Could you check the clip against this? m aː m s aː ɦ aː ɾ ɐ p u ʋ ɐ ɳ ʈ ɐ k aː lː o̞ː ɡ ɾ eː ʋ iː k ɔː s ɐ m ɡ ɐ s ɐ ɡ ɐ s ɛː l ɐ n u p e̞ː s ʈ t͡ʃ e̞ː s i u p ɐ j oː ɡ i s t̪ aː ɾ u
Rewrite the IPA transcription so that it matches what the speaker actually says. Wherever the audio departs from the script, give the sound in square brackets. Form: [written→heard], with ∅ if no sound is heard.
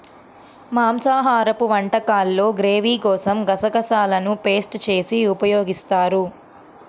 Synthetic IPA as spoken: m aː m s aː ɦ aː ɾ ɐ p u ʋ ɐ ɳ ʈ ɐ k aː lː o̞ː ɡ ɾ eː ʋ iː k ɔː s ɐ m ɡ ɐ s ɐ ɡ ɐ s [ɛː→aː] l ɐ n u p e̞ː s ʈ t͡ʃ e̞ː s i u p ɐ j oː ɡ i s t̪ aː ɾ u